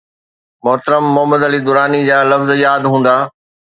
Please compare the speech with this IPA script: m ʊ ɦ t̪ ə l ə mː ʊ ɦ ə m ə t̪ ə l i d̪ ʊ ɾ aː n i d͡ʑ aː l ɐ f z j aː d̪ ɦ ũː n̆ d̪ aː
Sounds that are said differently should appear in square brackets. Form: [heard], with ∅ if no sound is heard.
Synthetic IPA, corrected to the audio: m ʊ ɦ t̪ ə [ɾ] ə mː ʊ ɦ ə m ə [d̪] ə l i d̪ ʊ ɾ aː n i d͡ʑ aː l ɐ f z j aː d̪ ɦ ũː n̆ d̪ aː